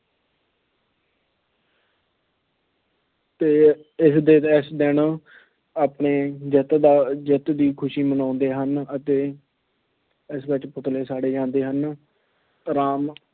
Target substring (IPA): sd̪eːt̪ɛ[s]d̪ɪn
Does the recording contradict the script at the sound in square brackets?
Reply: no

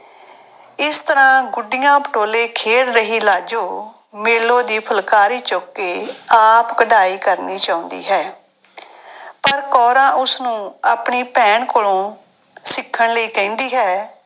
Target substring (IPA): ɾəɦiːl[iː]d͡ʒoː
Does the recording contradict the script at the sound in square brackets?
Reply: yes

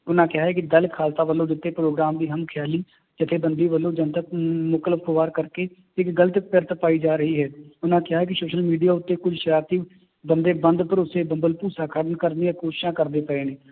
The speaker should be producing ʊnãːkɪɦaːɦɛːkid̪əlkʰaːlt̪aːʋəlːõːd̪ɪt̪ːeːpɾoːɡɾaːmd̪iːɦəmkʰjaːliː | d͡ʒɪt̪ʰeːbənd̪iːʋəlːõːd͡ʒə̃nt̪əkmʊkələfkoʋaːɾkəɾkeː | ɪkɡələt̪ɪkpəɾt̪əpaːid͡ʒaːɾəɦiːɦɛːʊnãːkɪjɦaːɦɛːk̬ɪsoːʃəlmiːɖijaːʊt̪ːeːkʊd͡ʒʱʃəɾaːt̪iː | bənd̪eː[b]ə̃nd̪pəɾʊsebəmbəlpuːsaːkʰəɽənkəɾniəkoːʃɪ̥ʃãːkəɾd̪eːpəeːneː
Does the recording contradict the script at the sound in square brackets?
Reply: no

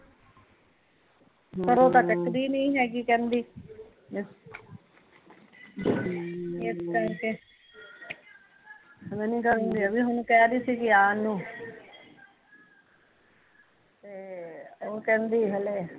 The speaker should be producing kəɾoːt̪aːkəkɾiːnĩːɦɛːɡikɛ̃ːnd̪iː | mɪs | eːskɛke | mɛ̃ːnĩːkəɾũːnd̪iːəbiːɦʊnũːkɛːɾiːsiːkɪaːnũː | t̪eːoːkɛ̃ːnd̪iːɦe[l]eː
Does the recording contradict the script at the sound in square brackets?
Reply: no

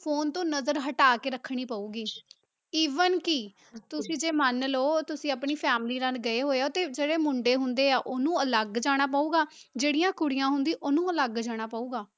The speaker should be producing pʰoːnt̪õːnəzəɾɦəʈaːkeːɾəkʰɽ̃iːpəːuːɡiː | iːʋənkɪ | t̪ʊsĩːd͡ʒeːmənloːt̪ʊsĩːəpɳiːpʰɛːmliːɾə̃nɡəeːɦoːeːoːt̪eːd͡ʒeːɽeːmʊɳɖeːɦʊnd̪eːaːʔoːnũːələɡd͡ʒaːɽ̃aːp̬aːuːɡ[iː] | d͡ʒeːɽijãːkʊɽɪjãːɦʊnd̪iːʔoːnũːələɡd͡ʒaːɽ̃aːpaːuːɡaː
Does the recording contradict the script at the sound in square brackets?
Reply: yes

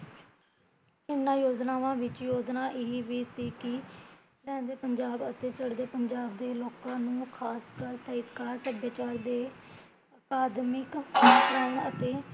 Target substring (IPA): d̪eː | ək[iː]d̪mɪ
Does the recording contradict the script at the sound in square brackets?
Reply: yes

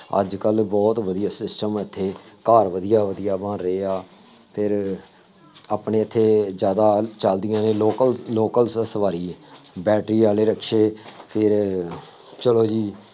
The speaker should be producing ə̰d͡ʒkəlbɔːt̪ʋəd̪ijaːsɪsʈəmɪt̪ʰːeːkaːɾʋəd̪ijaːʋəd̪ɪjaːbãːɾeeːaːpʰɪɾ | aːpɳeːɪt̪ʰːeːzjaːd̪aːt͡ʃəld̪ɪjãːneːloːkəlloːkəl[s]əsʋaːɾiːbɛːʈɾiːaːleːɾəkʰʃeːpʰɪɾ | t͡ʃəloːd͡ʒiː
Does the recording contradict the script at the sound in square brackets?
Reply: no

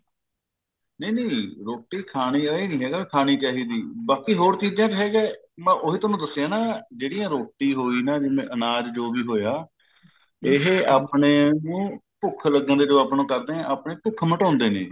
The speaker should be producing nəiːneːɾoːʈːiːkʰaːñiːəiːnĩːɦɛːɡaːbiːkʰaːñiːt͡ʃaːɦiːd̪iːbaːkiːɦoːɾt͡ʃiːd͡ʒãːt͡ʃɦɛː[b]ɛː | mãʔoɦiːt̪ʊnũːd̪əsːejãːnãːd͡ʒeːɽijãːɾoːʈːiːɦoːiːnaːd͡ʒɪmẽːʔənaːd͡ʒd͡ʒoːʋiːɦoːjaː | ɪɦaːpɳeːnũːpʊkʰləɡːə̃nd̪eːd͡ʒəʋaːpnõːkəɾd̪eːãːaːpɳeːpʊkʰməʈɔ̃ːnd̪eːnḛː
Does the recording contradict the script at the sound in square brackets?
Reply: yes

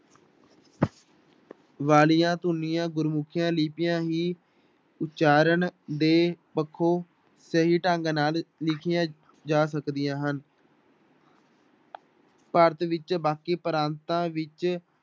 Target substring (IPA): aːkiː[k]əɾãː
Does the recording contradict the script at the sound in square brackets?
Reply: yes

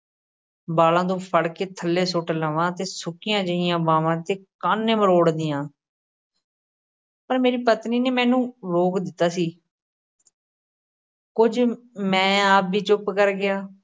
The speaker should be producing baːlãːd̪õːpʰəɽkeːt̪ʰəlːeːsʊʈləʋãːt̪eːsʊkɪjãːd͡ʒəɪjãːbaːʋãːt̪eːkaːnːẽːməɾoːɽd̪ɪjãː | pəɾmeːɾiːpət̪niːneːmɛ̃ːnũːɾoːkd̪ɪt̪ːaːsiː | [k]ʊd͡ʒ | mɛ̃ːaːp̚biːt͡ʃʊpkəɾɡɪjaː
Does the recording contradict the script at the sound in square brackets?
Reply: no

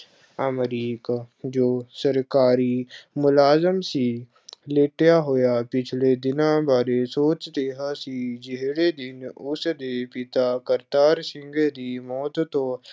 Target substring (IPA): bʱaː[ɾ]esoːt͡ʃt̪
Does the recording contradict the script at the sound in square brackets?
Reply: no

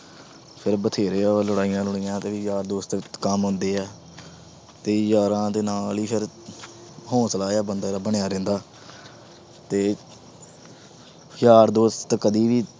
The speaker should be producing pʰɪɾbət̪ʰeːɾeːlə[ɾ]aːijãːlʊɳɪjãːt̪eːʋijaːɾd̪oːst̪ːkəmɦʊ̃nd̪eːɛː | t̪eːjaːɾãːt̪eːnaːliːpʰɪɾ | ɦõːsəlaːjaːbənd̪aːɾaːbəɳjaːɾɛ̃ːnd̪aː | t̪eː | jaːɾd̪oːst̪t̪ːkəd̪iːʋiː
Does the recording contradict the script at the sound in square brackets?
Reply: yes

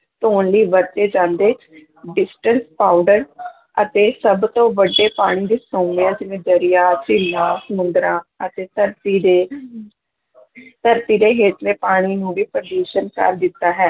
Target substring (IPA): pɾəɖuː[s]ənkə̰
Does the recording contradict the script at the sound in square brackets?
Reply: yes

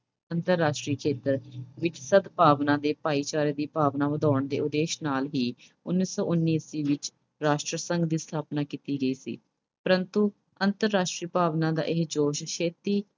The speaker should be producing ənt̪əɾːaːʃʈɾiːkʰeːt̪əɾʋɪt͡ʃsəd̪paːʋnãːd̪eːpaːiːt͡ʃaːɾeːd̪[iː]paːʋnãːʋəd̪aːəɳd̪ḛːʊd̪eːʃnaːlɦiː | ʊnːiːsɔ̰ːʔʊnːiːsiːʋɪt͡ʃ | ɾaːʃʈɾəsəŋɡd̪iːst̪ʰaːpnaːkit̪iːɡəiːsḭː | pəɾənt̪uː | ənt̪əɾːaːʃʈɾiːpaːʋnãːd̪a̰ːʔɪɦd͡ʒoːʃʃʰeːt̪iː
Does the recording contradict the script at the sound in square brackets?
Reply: no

